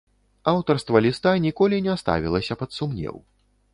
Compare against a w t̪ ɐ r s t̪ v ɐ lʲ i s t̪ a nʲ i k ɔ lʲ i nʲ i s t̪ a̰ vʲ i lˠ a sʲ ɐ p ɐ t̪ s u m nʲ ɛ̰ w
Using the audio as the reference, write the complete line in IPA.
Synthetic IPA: a w t̪ ɐ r s t̪ v ɐ lʲ i s t̪ a nʲ i k ɔ lʲ i nʲ ɛ s t̪ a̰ vʲ i lˠ ɐ sʲ ɐ p ɐ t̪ s u m nʲ ɛ̰ w